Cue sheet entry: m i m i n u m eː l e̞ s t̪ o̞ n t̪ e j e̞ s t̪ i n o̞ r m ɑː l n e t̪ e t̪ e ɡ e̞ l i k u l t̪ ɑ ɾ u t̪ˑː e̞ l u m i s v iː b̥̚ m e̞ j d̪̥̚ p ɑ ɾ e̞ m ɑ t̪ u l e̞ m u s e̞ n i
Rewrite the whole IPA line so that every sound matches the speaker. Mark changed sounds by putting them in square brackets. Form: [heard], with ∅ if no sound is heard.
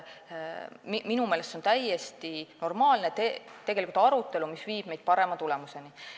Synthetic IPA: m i m i n u m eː l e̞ s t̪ o̞ n t̪ [æ] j e̞ s t̪ i n o̞ r m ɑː l n e t̪ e t̪ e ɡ e̞ l i k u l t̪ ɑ ɾ u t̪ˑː e̞ l u m i s v iː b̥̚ m e̞ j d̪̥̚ p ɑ ɾ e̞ m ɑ t̪ u l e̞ m u s e̞ n i